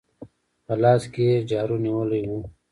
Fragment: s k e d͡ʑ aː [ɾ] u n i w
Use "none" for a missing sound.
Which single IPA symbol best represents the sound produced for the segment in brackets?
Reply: ɾ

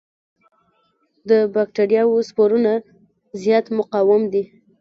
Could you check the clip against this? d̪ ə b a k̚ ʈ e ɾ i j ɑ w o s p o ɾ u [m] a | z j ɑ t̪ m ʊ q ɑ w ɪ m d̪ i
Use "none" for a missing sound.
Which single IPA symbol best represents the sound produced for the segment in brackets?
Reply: n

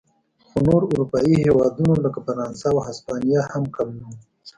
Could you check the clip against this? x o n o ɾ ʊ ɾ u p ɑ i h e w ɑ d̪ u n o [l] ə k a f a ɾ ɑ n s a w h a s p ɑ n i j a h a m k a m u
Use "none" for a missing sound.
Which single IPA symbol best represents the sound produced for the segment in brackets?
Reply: l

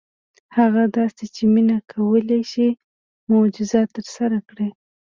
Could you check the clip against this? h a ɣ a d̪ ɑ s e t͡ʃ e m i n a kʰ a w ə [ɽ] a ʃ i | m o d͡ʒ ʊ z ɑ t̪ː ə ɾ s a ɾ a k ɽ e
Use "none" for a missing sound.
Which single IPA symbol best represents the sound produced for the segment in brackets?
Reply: l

